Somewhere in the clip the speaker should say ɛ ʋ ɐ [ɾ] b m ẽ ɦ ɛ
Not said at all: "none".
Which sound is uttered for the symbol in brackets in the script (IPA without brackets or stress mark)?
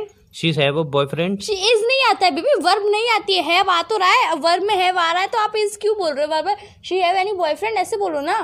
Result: ɾ